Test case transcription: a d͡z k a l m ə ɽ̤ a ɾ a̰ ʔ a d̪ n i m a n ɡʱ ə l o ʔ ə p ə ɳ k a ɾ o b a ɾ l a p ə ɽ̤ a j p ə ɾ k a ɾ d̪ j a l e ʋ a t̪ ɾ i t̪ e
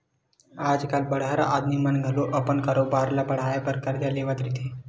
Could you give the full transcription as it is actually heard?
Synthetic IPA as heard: a d͡z k a l b ə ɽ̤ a ɾ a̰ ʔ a d̪ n i m a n ɡʱ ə l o ʔ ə p ə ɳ k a ɾ o b a ɾ l a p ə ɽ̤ a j p ə ɾ k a ɾ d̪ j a l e ʋ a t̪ ɾ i t̪ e